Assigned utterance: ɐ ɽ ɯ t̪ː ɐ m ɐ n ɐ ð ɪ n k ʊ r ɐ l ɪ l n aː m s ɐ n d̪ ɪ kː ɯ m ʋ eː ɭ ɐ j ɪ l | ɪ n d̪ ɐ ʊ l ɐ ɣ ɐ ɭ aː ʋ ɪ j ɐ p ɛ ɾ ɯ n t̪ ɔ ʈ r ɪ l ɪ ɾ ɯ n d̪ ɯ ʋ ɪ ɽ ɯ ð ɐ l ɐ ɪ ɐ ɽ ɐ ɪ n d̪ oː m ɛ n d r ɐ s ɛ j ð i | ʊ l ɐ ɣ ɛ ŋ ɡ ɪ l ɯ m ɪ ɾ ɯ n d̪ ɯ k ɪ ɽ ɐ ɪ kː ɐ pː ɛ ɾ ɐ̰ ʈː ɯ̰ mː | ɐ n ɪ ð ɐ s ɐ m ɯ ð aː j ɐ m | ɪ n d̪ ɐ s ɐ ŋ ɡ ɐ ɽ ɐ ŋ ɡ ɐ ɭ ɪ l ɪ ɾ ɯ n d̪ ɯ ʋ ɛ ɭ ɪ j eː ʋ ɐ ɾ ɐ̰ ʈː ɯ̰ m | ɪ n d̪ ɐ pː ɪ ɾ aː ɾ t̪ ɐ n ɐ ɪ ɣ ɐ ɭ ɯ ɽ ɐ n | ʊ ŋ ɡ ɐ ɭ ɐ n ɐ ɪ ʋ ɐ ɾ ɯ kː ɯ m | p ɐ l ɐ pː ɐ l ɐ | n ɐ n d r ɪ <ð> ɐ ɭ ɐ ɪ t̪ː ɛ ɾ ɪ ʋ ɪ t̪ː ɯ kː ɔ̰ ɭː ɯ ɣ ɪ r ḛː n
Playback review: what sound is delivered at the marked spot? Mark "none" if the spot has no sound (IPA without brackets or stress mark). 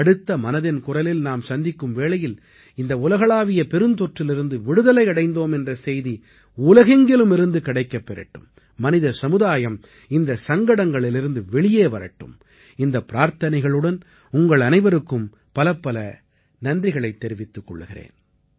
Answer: ɣ